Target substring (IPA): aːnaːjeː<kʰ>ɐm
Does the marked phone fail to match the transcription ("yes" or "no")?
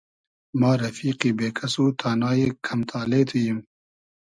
no